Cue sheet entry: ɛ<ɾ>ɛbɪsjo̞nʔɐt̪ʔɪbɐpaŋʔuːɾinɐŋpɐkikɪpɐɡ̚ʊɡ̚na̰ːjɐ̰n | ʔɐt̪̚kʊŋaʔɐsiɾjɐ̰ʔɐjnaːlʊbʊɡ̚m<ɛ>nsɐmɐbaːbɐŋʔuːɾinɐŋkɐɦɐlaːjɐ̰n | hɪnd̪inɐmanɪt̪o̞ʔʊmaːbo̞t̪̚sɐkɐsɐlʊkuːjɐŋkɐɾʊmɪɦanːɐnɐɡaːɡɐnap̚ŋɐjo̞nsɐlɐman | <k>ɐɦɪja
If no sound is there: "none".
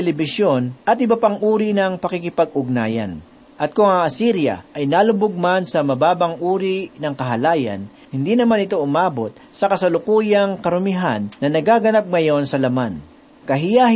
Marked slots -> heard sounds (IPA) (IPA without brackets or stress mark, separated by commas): l, a, k